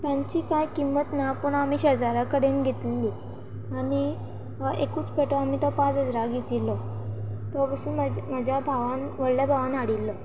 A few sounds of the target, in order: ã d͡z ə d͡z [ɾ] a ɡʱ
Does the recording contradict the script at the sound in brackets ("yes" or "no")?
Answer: no